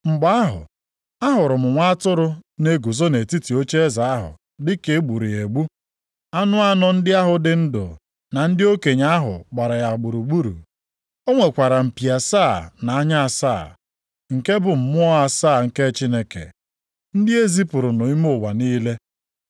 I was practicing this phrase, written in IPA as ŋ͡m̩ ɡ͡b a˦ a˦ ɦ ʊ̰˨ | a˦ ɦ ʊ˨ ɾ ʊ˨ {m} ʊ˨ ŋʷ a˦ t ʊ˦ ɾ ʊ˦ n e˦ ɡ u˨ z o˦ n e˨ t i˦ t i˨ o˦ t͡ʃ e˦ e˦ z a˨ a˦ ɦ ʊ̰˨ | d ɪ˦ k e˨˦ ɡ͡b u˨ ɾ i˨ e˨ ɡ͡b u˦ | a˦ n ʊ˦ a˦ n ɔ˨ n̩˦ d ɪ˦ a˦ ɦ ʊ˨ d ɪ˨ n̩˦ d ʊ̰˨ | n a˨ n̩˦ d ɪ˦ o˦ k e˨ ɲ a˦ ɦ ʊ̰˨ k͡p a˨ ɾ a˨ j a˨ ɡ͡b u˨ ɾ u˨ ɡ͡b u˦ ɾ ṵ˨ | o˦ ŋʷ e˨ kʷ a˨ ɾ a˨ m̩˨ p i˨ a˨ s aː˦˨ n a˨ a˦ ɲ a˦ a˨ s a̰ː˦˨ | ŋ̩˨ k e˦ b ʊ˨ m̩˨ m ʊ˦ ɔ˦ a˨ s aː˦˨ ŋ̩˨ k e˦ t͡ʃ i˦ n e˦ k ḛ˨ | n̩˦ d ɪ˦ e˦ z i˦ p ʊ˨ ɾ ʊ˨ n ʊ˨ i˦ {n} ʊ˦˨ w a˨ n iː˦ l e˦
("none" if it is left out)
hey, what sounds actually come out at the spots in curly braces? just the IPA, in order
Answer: m, m

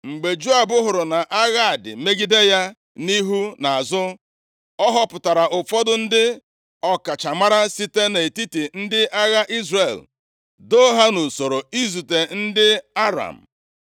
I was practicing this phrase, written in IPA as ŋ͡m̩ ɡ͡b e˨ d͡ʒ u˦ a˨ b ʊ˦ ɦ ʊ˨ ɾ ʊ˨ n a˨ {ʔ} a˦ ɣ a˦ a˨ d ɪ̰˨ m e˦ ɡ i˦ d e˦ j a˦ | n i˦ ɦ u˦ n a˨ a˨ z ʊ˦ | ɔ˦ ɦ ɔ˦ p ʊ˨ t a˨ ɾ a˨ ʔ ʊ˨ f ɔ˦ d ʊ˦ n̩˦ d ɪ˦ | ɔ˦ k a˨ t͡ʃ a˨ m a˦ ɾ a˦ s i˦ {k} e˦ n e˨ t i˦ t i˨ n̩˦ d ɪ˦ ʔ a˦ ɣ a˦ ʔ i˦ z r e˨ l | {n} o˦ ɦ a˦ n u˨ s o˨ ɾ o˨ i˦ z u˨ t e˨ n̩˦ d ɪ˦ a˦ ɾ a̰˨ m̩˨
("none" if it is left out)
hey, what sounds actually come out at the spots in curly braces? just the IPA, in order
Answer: ʔ, t, d

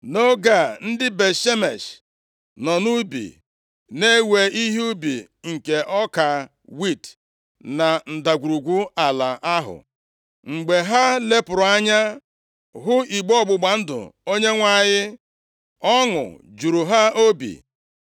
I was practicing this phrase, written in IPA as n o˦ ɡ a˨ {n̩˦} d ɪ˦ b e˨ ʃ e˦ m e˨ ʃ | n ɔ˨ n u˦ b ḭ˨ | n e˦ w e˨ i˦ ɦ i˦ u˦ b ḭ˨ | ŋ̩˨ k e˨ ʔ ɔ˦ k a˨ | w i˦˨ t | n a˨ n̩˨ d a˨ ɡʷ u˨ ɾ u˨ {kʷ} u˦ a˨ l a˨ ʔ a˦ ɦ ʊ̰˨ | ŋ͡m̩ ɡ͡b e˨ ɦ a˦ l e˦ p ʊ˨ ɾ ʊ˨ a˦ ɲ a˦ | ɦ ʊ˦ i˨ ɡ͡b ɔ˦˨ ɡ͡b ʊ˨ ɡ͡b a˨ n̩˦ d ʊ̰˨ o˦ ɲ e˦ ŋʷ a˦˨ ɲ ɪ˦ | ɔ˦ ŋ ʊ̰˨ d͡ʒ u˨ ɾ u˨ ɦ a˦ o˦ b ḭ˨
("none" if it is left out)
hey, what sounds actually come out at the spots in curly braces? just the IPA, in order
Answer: n̩˦, ɡʷ

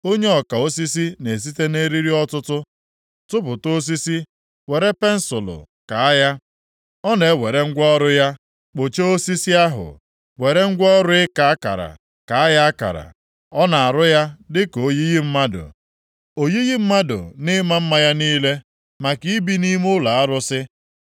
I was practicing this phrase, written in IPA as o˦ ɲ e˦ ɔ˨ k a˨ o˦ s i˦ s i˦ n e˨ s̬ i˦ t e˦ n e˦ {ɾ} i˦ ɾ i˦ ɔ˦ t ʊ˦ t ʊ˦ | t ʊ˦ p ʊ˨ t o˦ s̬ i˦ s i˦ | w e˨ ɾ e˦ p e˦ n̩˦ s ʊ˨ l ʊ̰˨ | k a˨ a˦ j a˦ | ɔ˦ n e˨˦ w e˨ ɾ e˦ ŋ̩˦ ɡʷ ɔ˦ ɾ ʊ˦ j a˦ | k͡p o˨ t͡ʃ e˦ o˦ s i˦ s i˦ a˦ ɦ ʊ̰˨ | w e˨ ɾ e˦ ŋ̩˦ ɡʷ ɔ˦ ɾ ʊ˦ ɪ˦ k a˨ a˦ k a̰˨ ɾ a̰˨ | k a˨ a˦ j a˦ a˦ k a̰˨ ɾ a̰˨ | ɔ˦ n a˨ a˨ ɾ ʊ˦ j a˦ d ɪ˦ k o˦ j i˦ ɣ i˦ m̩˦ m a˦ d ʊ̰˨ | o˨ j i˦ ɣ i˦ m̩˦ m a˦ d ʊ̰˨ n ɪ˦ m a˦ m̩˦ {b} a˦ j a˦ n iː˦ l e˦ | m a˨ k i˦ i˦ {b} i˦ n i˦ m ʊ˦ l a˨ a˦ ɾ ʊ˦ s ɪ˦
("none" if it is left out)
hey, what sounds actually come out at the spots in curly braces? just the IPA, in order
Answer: ɾ, m, b

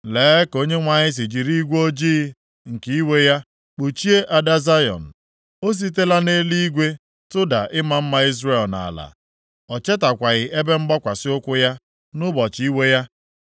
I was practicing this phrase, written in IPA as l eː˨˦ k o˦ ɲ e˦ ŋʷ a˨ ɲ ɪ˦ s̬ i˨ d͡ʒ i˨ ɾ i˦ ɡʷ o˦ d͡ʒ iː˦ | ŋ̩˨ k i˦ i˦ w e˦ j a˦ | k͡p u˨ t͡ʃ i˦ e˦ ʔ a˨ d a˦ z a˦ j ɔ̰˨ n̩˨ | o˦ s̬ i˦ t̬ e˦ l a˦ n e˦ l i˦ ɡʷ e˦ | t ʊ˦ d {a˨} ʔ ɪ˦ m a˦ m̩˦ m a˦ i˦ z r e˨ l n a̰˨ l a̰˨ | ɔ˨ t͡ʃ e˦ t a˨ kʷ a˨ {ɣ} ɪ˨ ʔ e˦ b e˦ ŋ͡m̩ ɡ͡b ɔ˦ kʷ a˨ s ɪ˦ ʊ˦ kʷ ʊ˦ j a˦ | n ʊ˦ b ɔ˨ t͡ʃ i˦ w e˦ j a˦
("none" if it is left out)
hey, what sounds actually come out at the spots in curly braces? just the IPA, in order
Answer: a˨, ɣ

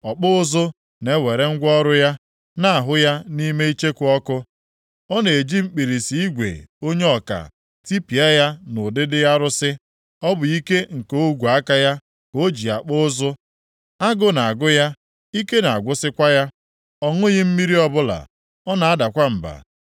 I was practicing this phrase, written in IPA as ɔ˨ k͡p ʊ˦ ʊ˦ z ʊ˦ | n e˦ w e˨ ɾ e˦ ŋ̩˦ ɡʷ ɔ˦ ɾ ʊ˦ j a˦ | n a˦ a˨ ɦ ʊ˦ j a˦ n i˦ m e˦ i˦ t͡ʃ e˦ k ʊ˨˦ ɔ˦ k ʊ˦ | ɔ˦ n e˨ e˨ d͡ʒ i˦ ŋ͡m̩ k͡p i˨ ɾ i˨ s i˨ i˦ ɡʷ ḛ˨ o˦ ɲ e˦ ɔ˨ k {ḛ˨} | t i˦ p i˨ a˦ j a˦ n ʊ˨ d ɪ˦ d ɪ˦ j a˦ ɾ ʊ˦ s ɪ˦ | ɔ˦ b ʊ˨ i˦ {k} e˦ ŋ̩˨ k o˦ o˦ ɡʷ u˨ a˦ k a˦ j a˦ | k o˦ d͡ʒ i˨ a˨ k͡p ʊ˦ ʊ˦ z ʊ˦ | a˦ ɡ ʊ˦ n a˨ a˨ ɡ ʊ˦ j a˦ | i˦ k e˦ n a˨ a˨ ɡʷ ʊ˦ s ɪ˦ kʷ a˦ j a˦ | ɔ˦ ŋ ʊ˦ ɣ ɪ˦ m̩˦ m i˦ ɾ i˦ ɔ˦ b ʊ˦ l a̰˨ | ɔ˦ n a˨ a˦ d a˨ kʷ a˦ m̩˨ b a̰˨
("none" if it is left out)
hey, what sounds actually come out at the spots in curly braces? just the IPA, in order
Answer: a̰˨, k

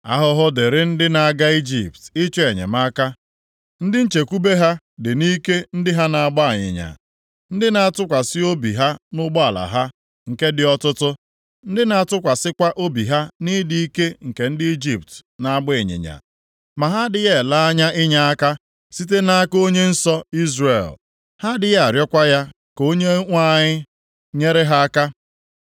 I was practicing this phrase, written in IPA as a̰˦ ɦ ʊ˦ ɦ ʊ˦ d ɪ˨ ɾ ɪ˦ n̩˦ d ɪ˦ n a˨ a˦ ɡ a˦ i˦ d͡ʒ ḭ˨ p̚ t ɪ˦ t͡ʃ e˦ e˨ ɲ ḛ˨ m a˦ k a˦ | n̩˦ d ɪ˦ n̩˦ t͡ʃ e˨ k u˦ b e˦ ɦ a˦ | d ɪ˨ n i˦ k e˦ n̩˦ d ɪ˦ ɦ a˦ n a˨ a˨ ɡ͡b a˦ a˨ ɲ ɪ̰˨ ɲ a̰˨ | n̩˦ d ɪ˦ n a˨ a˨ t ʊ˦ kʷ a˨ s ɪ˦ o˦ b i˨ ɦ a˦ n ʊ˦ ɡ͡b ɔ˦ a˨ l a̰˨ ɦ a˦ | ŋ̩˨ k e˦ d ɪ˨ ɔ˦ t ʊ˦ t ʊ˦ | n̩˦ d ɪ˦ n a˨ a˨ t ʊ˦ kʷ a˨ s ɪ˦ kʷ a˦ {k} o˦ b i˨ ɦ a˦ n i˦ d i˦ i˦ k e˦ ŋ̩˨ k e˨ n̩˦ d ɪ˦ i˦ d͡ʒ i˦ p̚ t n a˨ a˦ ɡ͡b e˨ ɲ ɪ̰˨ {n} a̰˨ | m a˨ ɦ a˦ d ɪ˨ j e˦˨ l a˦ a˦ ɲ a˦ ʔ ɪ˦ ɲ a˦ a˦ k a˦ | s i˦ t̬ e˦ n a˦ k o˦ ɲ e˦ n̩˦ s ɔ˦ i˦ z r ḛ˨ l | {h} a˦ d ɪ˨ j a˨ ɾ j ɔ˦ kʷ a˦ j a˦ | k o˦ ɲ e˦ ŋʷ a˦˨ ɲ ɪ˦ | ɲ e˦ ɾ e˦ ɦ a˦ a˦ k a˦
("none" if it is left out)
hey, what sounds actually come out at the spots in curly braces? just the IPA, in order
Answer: ʔ, ɲ, h

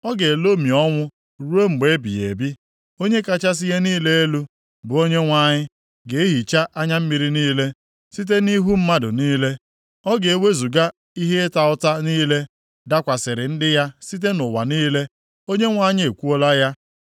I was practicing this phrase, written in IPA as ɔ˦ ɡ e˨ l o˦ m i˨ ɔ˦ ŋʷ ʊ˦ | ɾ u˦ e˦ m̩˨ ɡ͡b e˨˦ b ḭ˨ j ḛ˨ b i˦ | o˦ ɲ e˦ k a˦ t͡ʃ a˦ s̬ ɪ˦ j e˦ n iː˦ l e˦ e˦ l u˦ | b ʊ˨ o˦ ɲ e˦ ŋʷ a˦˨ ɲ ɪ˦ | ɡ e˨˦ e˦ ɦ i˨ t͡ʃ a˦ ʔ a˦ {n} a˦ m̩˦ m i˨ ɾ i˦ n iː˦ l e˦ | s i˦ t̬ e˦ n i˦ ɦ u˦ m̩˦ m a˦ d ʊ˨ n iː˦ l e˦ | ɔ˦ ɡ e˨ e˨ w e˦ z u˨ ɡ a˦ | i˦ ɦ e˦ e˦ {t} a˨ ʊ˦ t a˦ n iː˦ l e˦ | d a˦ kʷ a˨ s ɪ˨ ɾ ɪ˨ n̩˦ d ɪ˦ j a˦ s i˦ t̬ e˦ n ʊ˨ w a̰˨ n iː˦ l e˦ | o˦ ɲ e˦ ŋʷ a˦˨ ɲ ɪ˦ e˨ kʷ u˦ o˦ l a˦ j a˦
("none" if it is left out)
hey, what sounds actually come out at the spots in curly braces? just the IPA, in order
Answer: ɲ, t

